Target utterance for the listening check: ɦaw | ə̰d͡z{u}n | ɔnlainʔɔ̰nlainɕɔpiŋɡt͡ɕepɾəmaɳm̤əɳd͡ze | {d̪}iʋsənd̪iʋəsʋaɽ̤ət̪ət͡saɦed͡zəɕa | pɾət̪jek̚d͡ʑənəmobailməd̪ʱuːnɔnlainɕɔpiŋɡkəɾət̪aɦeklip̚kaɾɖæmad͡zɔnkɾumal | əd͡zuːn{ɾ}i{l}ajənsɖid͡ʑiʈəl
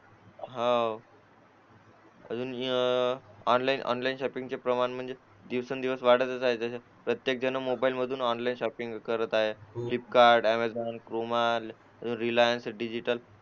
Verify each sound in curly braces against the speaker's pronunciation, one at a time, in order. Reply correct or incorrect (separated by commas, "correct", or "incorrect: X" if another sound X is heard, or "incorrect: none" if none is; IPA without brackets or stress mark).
incorrect: uː, correct, correct, correct